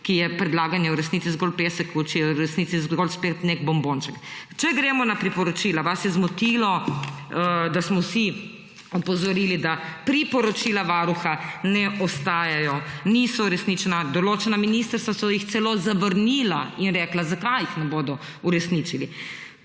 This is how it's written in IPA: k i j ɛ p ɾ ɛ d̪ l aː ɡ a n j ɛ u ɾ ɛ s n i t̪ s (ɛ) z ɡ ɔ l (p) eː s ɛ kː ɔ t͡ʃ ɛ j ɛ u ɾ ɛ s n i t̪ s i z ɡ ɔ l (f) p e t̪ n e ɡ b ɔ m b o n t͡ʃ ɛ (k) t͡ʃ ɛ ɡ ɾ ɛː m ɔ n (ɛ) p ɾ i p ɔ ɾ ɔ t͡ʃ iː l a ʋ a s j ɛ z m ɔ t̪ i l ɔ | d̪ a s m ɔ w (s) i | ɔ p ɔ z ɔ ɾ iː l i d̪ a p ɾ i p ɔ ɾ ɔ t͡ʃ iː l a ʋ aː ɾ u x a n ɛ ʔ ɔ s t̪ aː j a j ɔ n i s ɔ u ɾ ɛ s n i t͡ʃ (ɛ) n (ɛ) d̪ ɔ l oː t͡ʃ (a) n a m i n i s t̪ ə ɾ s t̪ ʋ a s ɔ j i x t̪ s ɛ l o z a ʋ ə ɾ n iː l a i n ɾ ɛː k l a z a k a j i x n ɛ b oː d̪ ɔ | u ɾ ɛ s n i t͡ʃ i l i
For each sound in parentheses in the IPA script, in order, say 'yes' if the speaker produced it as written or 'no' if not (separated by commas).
no, yes, no, yes, no, yes, yes, no, no